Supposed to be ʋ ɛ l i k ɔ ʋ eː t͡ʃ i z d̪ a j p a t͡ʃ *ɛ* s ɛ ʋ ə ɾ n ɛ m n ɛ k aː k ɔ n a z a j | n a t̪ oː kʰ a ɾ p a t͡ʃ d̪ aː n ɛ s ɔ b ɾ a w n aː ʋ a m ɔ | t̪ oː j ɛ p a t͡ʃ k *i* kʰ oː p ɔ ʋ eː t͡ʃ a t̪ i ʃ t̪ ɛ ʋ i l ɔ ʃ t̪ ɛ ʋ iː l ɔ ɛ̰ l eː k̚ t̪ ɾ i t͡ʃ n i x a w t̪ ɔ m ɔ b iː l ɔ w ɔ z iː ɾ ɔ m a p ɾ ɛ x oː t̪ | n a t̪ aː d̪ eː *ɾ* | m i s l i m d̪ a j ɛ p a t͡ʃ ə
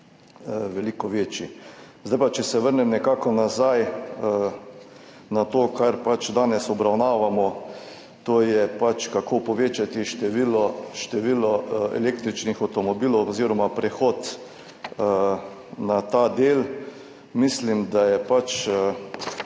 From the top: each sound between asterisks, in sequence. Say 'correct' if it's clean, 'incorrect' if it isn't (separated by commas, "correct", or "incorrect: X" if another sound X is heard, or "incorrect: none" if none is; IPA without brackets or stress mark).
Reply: correct, incorrect: a, incorrect: l